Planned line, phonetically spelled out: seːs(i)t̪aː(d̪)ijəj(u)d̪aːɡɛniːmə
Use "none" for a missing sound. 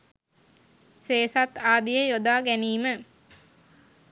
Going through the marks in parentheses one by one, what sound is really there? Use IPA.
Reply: a, d̪, o

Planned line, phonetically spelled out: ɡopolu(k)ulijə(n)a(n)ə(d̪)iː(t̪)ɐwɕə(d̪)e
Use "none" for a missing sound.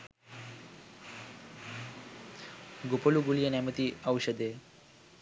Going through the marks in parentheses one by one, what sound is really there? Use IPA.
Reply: ɡ, n, m, t̪, none, d̪

